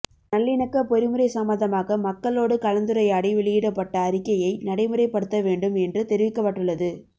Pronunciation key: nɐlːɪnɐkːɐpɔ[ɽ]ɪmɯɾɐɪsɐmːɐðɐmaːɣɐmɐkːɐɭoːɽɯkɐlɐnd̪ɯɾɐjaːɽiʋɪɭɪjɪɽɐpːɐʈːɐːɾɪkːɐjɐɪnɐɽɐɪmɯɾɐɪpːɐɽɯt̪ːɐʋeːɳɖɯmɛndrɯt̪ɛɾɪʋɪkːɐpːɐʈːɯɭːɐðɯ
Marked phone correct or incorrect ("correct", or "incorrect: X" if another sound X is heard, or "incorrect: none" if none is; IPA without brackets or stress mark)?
incorrect: ɾ